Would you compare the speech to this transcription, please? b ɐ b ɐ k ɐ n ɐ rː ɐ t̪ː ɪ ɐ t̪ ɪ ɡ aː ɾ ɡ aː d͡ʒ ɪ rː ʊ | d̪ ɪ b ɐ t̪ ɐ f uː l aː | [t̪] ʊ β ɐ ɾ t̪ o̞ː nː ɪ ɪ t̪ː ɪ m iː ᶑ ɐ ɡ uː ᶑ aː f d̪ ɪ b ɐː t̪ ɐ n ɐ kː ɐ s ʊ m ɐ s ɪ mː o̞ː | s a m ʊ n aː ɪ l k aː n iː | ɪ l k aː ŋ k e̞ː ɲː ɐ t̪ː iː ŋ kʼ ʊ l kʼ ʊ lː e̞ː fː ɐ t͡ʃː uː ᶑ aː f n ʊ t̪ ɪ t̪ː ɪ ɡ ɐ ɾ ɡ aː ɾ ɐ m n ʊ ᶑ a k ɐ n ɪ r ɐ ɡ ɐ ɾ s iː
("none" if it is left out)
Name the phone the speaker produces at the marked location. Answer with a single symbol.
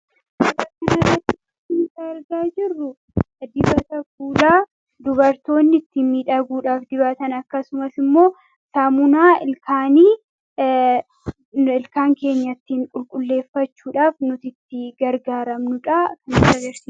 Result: d̪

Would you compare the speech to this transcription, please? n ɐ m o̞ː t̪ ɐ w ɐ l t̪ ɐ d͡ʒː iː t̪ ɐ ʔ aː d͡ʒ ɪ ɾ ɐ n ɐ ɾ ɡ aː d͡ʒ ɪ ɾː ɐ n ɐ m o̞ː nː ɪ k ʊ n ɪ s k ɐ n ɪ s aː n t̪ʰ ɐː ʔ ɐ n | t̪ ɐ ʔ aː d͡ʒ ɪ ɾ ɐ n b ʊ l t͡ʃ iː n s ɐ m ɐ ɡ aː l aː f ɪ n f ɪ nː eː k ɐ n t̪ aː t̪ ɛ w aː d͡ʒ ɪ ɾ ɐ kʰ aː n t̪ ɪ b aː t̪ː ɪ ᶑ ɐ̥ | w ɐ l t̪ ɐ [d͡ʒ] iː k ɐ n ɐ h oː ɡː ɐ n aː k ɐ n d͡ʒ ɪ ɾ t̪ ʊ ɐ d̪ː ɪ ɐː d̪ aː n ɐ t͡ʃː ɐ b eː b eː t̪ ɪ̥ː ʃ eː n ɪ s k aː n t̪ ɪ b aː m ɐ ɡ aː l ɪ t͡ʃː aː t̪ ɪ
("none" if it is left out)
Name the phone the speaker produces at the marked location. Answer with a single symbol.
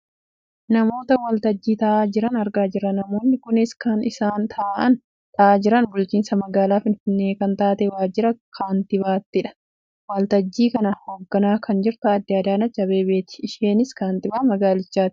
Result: d͡ʒː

